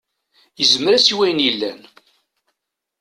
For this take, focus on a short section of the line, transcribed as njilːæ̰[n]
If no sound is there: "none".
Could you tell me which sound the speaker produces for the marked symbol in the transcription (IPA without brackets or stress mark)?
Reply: n